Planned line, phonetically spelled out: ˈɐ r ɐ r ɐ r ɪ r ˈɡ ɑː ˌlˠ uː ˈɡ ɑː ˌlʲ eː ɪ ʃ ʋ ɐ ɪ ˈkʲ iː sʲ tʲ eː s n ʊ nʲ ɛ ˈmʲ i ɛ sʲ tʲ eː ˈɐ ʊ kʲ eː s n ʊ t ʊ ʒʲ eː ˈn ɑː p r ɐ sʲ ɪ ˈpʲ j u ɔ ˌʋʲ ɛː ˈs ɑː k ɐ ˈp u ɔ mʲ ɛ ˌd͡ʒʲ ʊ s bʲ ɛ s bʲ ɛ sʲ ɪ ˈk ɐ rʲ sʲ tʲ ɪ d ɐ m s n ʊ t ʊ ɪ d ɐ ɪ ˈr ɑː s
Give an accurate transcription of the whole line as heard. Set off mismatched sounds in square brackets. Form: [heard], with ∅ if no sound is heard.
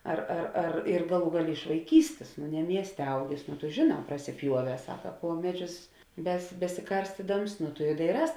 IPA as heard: ˈɐ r ɐ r ɐ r ɪ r ˈɡ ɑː ˌlˠ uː ˈɡ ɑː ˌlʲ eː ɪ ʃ ʋ ɐ ɪ ˈkʲ iː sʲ tʲ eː s n ʊ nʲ ɛ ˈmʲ i ɛ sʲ tʲ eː ˈɐ ʊ [ɡʲ] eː s n ʊ t ʊ ʒʲ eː ˈn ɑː p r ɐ sʲ ɪ ˈpʲ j u ɔ ˌʋʲ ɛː ˈs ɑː k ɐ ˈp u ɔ mʲ ɛ ˌd͡ʒʲ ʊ s bʲ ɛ s bʲ ɛ sʲ ɪ ˈk ɐ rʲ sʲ tʲ ɪ d ɐ m s n ʊ t ʊ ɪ d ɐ ɪ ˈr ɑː s